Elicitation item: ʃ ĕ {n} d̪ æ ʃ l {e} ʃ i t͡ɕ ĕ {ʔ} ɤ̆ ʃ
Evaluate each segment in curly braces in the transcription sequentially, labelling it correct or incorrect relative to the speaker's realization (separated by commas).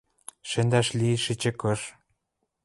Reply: correct, incorrect, incorrect